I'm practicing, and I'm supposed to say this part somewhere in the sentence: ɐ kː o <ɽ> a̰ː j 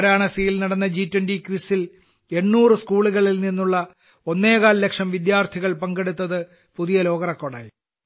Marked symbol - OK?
yes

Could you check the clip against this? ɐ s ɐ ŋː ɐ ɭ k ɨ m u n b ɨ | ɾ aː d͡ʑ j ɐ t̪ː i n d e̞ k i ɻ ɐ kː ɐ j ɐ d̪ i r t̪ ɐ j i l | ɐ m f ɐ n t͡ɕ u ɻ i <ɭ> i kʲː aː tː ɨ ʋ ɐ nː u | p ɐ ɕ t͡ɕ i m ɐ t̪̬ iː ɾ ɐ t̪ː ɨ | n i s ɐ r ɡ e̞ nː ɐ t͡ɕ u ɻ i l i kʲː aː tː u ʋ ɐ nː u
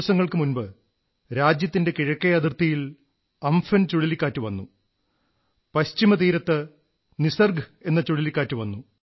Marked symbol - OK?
no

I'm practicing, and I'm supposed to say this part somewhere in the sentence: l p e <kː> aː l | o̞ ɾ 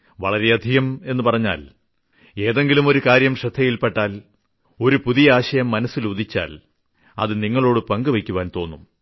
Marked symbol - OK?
no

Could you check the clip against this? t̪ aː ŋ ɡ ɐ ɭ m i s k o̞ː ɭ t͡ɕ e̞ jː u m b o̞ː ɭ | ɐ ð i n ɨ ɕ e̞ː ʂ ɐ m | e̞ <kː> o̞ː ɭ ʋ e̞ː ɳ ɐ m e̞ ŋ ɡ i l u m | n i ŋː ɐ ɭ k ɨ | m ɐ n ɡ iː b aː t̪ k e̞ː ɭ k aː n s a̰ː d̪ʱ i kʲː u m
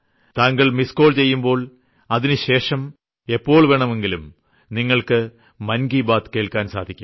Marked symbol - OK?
no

